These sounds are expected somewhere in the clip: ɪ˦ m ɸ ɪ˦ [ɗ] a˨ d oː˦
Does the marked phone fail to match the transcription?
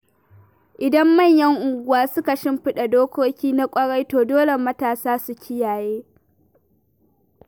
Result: no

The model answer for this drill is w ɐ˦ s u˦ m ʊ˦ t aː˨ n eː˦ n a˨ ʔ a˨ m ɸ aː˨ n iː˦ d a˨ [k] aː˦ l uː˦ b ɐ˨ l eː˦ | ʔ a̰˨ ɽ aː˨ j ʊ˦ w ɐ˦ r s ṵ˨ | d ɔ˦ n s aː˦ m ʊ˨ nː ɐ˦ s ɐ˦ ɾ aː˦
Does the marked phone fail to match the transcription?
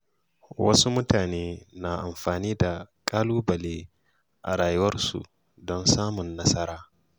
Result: yes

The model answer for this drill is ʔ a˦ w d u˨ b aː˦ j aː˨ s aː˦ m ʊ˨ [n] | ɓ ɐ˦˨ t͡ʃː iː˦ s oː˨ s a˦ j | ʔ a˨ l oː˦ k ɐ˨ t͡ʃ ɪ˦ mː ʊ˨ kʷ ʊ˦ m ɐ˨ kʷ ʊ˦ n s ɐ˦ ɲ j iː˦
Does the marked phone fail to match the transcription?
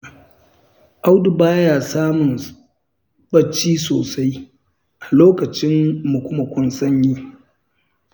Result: no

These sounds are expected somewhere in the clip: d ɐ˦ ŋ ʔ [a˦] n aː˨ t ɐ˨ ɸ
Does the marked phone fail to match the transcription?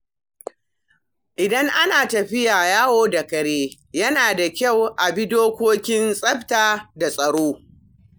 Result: no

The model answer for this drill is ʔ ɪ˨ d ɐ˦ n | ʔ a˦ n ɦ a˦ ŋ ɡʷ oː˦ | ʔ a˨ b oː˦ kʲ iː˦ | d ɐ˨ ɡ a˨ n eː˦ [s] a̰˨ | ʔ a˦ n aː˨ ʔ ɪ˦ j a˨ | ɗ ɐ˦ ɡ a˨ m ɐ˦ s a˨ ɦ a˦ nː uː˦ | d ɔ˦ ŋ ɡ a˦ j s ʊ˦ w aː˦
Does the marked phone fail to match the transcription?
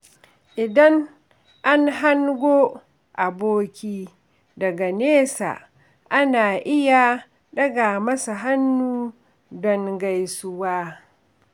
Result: no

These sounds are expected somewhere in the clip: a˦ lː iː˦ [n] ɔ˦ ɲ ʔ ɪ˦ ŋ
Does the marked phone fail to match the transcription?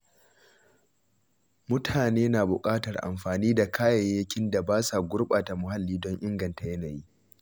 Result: yes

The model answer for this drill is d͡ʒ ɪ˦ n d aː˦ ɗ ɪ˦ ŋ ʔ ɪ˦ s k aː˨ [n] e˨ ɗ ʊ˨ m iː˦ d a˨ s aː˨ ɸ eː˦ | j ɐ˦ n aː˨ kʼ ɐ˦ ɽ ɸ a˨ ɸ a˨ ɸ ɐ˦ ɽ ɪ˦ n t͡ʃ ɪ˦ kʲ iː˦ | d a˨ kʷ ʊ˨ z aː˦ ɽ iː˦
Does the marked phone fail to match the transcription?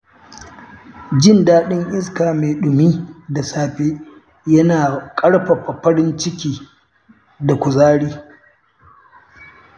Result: yes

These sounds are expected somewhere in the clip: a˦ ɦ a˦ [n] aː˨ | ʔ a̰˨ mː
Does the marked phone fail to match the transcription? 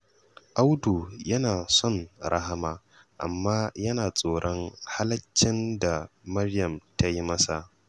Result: yes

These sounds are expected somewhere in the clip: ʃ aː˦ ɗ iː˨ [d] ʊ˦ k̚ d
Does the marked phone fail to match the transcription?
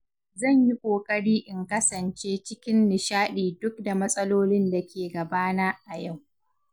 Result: no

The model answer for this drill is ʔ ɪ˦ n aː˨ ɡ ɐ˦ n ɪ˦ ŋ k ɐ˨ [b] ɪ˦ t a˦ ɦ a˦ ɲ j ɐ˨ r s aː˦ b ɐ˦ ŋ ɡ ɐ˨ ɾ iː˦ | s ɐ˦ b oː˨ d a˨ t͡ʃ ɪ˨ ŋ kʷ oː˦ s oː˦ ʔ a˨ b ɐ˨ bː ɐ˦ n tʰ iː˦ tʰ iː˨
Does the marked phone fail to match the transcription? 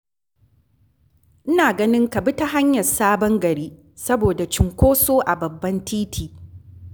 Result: no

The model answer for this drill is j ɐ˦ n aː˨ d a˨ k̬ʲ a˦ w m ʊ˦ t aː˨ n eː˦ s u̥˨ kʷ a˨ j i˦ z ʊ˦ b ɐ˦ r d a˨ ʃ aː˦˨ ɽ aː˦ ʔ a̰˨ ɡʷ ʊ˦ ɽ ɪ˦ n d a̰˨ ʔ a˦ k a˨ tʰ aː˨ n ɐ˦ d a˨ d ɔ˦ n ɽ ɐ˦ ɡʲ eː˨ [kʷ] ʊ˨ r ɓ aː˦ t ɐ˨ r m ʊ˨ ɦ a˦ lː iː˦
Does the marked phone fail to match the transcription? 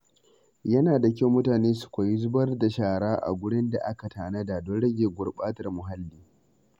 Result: yes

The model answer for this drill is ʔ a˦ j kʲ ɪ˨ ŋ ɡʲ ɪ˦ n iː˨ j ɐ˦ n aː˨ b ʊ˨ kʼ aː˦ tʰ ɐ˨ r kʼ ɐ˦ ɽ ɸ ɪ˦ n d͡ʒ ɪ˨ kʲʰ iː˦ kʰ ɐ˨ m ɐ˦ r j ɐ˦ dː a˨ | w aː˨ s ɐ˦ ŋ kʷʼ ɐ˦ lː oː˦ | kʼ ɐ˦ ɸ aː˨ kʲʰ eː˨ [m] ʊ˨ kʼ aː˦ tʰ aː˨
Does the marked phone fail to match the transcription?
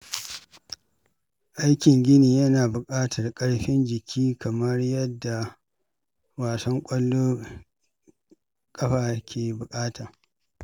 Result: yes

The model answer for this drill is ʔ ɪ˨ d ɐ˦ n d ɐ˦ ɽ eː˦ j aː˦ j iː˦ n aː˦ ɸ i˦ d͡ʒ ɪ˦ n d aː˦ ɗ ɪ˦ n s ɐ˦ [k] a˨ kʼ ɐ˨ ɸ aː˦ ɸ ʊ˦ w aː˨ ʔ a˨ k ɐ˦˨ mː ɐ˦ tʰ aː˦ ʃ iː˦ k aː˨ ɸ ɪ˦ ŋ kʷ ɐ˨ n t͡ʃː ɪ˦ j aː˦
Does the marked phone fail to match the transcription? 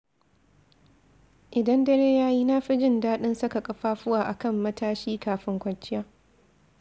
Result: no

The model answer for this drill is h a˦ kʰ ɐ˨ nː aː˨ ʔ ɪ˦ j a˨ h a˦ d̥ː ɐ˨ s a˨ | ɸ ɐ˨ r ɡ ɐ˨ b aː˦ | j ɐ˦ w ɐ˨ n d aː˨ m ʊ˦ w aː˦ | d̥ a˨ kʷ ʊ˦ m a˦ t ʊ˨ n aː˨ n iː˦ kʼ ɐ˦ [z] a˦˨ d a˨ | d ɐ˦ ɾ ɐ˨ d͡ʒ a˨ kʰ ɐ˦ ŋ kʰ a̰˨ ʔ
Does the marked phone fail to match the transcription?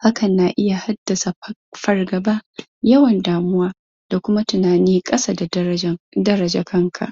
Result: yes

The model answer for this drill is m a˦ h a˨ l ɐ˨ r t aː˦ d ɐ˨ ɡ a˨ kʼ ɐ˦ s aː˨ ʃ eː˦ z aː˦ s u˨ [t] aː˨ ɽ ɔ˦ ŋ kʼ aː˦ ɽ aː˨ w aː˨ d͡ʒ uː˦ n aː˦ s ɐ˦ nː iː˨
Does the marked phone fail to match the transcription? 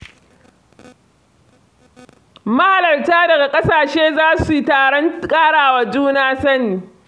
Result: no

